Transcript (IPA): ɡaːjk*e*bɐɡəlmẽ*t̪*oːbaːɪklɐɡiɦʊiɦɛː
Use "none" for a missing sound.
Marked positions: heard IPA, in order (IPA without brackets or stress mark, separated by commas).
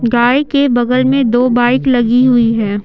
e, d̪